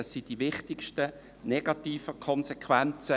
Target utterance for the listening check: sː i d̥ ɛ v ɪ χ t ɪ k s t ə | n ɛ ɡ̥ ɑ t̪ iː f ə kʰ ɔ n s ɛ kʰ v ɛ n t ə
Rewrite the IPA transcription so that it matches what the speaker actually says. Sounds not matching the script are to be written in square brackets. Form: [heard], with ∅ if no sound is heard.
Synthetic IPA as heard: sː i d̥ [i] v ɪ χ t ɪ k [ʃ] t ə | n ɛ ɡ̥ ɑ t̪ iː f ə kʰ ɔ n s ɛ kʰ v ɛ n [t͡s] ə